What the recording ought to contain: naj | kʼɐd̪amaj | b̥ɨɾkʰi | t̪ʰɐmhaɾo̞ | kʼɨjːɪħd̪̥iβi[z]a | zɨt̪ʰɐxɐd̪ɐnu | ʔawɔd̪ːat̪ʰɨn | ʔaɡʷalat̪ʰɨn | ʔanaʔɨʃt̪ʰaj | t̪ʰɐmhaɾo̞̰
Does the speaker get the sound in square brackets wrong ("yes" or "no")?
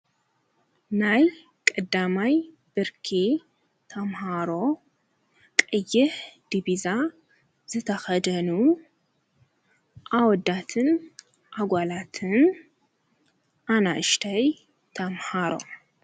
no